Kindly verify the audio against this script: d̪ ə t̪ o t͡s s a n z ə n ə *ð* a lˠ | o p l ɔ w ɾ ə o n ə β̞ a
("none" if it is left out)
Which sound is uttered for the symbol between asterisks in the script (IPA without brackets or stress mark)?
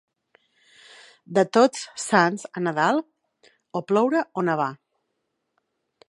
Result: ð